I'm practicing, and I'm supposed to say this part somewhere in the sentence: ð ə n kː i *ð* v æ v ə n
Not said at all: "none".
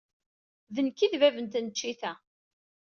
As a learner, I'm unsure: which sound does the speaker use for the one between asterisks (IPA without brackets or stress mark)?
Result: ð